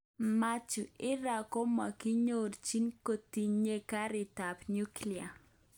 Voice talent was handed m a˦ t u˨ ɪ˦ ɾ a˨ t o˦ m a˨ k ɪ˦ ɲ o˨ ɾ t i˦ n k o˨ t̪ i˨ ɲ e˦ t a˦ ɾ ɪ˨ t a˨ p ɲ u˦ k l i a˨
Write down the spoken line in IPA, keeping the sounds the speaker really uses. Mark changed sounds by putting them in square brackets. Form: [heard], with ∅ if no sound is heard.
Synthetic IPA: m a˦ [t͡ʃ] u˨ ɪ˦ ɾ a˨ [k] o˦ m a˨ k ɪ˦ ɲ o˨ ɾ [t͡ʃ] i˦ n k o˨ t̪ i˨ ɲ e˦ [k] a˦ ɾ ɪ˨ t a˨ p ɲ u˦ k l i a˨